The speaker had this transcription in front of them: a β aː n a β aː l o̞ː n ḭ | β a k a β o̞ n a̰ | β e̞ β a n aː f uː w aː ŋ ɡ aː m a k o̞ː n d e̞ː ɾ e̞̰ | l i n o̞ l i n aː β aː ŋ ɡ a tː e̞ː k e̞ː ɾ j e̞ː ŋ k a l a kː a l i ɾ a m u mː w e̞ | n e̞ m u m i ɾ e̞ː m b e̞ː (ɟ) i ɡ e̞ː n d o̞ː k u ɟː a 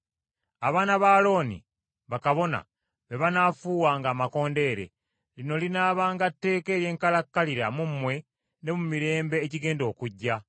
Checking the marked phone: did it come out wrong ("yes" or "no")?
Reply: yes